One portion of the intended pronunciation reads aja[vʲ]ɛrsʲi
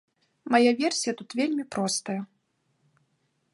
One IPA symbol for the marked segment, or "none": vʲ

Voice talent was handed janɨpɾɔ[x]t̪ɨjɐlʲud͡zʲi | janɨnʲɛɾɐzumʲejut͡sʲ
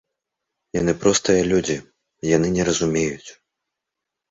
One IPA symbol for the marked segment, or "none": s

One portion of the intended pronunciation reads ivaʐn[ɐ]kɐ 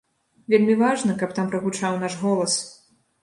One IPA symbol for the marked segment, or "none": ɐ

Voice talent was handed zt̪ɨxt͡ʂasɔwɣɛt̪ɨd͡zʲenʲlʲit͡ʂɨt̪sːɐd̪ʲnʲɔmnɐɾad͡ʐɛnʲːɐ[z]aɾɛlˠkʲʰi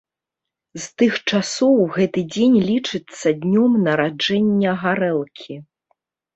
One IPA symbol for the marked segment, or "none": ɣ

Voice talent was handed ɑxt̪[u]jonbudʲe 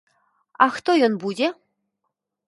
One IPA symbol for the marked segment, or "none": o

